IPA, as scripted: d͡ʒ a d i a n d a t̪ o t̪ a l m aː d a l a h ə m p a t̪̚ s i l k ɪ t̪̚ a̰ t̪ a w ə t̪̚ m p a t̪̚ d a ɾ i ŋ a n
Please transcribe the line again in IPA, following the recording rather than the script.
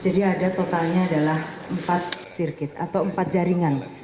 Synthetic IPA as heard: d͡ʒ a d i a d a t̪ o t̪ a l ɲ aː d a l a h ə m p a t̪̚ s i r k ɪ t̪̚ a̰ t̪ a w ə m p a t̪̚ d͡ʒ a ɾ i ŋ a n